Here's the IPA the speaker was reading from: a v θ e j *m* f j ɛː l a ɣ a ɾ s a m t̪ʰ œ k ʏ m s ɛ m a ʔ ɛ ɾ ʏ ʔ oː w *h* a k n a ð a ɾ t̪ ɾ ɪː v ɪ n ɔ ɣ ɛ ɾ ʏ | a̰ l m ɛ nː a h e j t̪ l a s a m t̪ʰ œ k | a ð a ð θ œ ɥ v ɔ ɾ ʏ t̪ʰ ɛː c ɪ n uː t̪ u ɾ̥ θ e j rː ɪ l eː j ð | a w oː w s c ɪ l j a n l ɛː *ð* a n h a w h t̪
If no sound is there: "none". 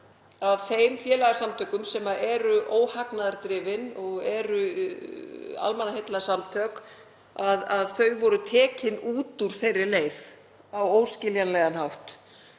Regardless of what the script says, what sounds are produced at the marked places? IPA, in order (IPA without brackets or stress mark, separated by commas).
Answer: m, h, ɣ